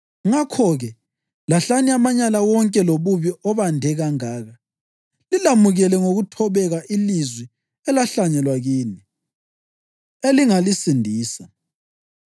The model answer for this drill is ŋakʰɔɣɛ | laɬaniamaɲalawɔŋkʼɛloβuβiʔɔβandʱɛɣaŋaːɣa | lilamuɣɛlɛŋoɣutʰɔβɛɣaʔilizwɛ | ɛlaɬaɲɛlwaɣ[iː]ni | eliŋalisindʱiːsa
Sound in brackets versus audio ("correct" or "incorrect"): correct